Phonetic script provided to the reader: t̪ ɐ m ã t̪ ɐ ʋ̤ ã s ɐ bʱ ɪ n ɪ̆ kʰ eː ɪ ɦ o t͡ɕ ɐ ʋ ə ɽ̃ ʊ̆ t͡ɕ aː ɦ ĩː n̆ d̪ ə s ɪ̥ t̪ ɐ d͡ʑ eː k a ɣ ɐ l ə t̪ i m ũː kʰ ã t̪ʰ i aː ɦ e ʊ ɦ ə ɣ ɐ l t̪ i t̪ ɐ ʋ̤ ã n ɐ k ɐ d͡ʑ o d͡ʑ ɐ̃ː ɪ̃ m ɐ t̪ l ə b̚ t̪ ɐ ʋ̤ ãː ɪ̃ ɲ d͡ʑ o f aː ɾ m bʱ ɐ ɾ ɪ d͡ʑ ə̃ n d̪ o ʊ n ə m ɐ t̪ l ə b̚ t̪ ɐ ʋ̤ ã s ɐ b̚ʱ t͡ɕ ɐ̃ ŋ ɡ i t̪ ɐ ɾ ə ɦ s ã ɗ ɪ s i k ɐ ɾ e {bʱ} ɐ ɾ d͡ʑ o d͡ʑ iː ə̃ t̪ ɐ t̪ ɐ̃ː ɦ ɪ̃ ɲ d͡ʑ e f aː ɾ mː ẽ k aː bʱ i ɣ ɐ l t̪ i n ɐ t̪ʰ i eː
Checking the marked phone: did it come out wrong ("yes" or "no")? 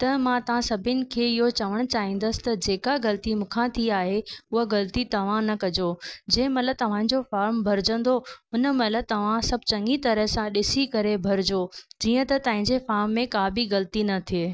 no